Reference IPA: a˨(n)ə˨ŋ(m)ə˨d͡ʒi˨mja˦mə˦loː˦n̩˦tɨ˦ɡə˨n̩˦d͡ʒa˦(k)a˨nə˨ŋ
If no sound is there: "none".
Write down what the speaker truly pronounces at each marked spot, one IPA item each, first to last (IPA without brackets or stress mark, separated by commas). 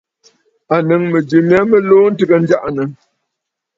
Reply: n, m, ʔ